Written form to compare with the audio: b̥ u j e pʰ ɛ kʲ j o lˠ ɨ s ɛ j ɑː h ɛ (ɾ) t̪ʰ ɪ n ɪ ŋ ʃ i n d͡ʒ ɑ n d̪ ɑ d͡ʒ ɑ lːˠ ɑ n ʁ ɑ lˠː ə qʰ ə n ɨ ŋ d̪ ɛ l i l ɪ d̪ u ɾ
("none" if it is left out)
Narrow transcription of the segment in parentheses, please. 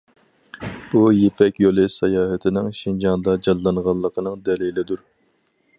none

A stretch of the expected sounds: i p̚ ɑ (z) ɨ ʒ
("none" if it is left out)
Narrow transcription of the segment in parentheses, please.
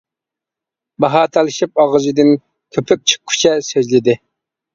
ʁ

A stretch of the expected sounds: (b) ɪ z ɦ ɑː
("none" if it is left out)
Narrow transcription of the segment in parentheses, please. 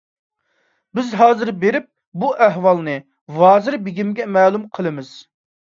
b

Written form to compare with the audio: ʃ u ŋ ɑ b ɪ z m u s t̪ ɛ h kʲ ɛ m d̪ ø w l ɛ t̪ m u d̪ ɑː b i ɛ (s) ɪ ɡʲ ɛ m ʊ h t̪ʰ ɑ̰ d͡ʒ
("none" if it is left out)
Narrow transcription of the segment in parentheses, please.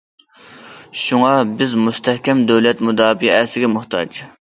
s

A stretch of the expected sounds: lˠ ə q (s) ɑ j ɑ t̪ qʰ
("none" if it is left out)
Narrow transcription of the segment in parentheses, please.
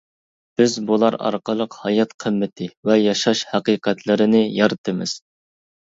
h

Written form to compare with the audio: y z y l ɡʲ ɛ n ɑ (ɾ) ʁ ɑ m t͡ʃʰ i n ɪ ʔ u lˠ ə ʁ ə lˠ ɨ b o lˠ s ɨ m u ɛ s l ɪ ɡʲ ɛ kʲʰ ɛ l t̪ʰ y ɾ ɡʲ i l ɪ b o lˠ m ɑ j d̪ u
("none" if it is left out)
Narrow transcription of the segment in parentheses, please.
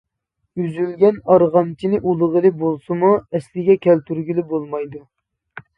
ɾ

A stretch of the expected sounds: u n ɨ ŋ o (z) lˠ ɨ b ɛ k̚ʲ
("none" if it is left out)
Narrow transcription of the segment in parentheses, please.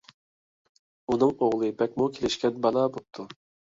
ʁ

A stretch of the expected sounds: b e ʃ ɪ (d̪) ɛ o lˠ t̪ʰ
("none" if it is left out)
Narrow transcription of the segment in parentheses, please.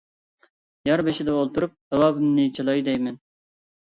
d̪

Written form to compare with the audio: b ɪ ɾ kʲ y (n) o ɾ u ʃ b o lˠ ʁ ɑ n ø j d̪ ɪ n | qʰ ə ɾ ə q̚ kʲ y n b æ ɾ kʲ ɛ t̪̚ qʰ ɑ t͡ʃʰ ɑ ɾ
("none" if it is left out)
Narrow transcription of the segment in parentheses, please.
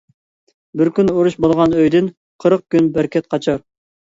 n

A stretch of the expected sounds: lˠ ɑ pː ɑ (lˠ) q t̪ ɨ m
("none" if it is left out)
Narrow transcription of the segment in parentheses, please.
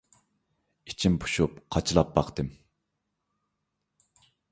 none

